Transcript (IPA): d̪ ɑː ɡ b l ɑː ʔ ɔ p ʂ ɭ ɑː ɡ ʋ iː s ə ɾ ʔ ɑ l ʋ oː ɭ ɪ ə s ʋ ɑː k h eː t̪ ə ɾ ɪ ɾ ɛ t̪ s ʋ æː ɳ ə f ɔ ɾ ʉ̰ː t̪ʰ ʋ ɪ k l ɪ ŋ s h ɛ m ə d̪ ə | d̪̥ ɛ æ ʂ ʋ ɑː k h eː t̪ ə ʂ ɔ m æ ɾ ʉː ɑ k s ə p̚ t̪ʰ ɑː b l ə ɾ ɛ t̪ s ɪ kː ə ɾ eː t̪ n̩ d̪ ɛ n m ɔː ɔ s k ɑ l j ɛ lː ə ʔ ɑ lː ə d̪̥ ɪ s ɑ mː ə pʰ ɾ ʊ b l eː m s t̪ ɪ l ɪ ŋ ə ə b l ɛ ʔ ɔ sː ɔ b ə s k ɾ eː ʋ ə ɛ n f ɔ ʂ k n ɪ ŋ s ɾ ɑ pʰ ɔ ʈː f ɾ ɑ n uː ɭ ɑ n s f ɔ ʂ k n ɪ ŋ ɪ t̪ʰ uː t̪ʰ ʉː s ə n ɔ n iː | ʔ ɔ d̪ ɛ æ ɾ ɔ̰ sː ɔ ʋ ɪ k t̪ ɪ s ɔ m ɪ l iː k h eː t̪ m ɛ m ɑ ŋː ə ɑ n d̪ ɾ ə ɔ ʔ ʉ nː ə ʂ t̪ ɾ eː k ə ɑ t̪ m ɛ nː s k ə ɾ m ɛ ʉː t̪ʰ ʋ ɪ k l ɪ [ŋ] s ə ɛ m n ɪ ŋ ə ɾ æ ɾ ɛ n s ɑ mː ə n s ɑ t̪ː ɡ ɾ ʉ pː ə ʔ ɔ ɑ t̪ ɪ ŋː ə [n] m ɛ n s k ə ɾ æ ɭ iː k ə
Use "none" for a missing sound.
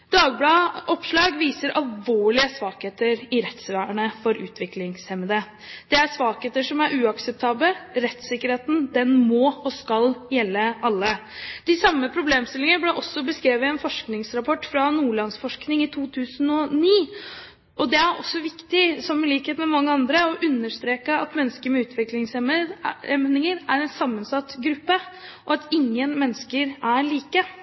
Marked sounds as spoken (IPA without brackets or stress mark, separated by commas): ŋ, n